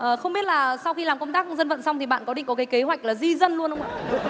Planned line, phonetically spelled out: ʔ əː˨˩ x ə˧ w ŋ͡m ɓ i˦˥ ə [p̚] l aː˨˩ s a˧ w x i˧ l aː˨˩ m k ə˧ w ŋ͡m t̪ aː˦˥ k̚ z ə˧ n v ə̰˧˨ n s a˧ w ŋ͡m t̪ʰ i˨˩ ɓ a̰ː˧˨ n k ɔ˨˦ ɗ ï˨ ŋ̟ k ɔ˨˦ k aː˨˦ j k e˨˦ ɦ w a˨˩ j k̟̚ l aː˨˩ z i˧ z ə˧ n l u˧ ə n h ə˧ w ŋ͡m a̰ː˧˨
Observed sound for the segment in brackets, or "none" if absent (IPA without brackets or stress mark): t̚